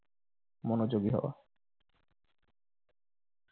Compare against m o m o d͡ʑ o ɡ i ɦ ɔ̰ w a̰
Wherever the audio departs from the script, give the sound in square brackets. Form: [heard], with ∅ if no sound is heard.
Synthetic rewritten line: m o [n] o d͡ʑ o ɡ i ɦ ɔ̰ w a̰